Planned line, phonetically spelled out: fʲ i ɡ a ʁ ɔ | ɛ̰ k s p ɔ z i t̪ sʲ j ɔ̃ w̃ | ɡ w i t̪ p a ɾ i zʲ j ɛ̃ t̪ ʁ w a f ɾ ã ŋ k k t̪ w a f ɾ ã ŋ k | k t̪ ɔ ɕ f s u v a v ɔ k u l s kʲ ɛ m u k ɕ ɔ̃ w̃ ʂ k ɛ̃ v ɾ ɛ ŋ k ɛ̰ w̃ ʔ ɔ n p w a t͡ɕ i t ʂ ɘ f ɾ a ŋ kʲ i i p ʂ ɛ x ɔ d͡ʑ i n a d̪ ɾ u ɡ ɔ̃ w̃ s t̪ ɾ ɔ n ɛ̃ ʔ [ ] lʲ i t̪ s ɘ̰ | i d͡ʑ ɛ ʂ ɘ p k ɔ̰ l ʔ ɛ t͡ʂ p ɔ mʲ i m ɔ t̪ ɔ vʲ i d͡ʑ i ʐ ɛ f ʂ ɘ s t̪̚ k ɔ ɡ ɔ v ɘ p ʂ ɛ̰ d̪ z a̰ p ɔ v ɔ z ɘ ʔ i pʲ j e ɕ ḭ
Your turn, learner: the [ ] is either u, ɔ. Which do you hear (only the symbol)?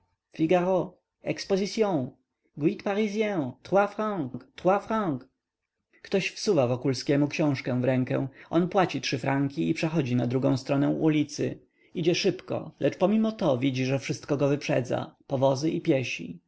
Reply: u